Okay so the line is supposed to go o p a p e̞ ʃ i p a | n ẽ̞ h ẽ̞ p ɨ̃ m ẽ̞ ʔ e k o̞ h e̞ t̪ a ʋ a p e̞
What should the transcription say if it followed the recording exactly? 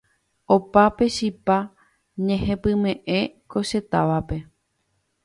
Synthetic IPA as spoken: o p a p e̞ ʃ i p a | ɲ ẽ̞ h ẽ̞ p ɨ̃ m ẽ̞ ʔ e k o̞ ʃ e̞ t̪ a ʋ a p e̞